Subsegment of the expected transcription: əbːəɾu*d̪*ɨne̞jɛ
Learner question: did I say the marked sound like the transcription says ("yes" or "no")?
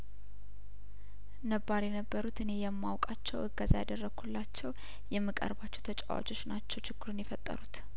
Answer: no